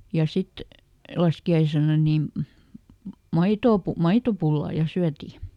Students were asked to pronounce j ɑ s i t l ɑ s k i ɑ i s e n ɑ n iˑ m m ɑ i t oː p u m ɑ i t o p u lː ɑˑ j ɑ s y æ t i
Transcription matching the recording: j ɑ s i t l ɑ s k i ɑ i s e n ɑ n iˑ m m ɑ i t oː p u m ɑ i t o p u lː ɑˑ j ɑ s y æ t i